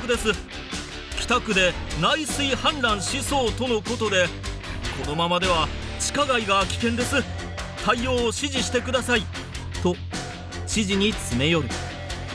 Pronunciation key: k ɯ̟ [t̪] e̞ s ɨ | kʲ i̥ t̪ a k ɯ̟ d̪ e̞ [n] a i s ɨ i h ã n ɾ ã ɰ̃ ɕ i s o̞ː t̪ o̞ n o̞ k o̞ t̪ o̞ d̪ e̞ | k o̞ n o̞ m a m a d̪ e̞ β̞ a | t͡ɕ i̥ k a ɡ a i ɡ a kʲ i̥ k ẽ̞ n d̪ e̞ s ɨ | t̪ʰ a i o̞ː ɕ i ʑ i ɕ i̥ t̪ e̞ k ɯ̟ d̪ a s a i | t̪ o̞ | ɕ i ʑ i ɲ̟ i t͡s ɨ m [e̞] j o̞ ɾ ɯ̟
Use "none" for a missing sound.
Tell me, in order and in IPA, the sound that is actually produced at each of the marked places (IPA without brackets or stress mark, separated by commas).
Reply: d̪, n, e̞